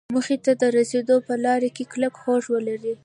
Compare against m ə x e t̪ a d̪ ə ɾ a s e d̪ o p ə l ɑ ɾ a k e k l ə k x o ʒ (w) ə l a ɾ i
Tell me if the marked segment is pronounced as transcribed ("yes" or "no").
yes